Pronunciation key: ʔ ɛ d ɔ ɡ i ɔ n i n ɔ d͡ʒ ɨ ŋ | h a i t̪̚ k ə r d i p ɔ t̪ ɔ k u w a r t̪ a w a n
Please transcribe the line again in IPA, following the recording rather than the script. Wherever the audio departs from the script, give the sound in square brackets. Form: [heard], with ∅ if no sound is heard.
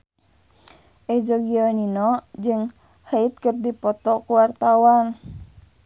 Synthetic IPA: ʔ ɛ [d͡ʒ] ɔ ɡ i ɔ n i n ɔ d͡ʒ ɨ ŋ | h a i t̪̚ k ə r d i p ɔ t̪ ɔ k u w a r t̪ a w a n